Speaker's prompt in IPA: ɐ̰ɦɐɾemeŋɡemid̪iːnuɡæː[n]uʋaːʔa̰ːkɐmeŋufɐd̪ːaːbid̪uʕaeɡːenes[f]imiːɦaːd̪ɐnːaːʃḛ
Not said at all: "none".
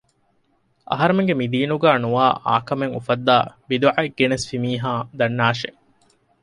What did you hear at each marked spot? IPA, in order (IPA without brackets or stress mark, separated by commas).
n, f